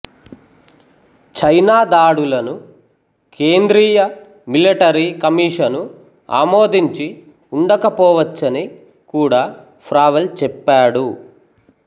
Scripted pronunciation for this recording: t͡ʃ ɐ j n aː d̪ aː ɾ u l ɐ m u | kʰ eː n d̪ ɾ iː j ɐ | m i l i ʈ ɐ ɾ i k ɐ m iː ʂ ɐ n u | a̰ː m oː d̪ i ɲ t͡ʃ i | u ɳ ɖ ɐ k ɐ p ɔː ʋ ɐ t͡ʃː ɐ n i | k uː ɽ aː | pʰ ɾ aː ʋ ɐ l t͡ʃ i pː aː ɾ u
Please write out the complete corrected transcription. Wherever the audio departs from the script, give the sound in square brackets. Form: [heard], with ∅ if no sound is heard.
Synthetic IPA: t͡ʃ ɐ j n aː d̪ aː [ɽ] u l ɐ [n] u | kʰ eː n d̪ ɾ iː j ɐ | m i l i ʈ ɐ ɾ i k ɐ m iː ʂ ɐ n u | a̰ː m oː d̪ i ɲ t͡ʃ i | u ɳ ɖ ɐ k ɐ p ɔː ʋ ɐ t͡ʃː ɐ n i | k uː ɽ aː | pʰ ɾ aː ʋ ɐ l t͡ʃ [ɛ] pː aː [ɽ] u

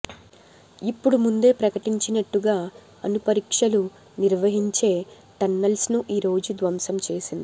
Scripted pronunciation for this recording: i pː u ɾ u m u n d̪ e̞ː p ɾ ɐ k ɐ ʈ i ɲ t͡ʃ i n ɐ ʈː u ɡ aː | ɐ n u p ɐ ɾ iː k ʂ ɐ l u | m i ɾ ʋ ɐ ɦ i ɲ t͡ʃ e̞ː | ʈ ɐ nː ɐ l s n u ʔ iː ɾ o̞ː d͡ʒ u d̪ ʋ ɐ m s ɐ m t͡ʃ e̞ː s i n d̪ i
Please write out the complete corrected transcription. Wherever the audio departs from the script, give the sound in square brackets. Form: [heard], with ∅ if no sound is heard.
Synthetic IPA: i pː u [ɽ] u m u n d̪ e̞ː p ɾ ɐ k ɐ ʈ i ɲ t͡ʃ i n ɐ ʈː u ɡ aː | ɐ n u p ɐ ɾ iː k ʂ ɐ l u | [n] i ɾ ʋ ɐ ɦ i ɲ t͡ʃ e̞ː | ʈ ɐ nː ɐ l s n u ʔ iː ɾ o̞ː d͡ʒ u d̪ ʋ ɐ m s ɐ m t͡ʃ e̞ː s i n d̪ i

